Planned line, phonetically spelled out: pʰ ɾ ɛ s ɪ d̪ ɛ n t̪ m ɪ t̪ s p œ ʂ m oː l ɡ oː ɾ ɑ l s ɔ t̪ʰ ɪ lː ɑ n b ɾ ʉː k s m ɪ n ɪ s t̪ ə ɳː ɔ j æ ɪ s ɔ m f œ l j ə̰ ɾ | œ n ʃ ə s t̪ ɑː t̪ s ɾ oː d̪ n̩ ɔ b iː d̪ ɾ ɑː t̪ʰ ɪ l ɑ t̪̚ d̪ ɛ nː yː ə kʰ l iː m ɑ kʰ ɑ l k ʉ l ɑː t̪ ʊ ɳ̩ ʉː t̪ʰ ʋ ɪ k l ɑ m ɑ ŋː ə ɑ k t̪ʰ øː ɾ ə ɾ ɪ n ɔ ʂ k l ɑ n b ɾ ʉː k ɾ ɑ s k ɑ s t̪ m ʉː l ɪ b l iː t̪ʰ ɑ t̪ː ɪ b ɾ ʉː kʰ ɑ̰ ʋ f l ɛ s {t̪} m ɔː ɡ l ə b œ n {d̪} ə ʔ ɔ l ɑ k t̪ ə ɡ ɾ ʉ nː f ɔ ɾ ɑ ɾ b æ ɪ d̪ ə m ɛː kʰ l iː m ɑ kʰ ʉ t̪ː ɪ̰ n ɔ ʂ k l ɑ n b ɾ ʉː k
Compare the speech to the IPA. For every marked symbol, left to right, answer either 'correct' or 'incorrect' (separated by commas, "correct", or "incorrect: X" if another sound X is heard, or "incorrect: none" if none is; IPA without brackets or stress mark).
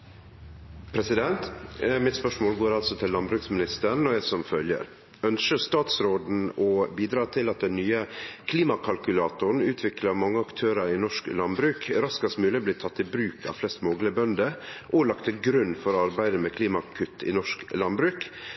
correct, correct